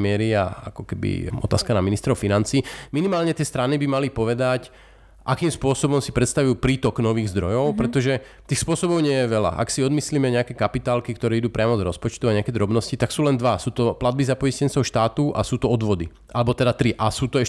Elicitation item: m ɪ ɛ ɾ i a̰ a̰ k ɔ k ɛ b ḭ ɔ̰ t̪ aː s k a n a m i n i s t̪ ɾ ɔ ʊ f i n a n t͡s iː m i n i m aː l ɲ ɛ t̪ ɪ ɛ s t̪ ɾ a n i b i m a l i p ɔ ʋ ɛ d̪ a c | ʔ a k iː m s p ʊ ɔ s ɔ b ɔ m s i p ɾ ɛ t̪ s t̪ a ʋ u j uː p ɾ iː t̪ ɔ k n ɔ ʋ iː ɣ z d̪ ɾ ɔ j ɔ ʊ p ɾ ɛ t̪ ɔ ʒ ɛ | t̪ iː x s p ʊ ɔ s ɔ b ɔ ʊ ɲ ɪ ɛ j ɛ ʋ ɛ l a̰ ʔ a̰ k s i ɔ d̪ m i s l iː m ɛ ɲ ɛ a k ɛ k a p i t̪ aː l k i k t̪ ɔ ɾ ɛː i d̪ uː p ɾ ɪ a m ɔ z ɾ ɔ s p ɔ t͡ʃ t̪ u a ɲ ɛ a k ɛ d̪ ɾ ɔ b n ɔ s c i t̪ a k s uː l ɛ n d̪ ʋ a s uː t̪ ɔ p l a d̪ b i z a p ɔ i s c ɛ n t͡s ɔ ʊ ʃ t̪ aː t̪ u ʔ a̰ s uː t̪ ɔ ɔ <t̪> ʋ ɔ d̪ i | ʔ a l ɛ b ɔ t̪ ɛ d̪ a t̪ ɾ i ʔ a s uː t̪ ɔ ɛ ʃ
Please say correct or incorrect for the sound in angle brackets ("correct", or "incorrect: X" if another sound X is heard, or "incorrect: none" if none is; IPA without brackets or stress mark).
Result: incorrect: d̪